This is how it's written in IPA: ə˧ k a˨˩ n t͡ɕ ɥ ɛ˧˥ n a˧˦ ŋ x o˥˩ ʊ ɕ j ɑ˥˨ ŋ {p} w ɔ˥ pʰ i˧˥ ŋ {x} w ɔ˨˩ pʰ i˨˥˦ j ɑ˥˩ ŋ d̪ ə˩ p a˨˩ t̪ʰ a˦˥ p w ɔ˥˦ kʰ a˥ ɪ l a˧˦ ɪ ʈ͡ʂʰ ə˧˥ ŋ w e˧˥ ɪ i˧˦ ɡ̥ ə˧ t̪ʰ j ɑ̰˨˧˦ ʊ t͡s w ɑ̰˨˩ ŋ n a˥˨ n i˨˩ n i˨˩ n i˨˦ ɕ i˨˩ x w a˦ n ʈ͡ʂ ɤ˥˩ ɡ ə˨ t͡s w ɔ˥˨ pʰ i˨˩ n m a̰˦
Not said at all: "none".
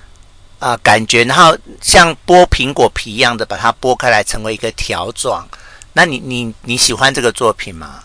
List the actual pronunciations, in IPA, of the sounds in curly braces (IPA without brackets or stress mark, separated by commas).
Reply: p, k